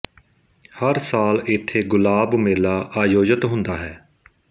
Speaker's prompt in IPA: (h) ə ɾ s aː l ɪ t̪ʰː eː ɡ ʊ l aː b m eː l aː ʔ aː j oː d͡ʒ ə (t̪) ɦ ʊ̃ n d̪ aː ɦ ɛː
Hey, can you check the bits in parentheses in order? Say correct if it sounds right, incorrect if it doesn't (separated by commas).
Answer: correct, correct